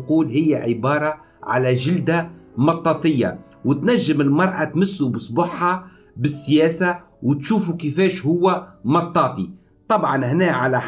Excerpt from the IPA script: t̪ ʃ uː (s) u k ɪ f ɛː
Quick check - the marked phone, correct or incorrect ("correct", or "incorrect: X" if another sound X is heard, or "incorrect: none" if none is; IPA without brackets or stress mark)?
incorrect: f